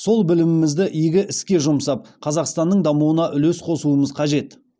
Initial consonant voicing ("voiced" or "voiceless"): voiceless